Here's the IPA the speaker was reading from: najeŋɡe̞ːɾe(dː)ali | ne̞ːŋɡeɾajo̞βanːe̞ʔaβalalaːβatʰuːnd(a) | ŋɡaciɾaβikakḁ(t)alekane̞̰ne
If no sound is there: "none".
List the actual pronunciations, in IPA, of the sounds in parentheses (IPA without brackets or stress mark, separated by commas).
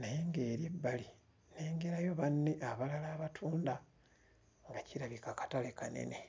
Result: bː, a, t